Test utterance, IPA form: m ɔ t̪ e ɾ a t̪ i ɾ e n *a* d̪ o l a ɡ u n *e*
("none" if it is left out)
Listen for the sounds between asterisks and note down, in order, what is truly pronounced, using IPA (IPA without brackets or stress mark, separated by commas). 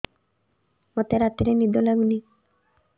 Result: i, i